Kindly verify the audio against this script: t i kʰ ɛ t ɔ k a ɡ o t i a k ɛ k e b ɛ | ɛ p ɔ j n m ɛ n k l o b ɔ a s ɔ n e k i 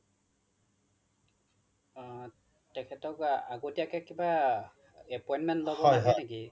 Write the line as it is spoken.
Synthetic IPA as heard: t ɛ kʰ ɛ t ɔ k a ɡ o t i a k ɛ k i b a | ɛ p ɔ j n m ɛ n t l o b ɔ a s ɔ n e k i